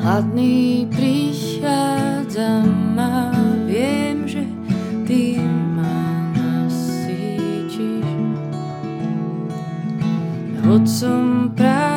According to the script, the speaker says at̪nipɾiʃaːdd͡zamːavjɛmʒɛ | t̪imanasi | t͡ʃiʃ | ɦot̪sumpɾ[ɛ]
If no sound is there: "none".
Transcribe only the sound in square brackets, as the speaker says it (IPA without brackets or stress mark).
a